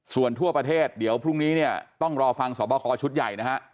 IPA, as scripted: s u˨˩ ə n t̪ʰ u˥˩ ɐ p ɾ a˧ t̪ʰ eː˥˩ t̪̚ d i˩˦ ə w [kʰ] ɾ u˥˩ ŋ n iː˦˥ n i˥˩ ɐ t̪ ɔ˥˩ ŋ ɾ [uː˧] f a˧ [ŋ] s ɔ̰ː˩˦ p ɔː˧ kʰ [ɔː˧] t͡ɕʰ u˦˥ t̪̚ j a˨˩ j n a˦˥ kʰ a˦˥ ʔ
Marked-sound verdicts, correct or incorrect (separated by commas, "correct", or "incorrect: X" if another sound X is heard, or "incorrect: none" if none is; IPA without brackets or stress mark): incorrect: pʰ, incorrect: ɔː˧, correct, correct